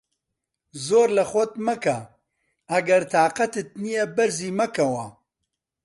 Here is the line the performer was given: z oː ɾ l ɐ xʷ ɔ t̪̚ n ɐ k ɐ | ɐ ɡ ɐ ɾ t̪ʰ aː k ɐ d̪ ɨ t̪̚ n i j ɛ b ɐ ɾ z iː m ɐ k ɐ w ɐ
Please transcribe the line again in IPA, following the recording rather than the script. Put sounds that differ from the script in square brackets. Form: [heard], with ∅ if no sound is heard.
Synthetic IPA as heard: z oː ɾ l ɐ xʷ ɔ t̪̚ [m] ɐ k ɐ | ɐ ɡ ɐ ɾ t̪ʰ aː [q] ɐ [t̪] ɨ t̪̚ n i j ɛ b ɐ ɾ z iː m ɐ k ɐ w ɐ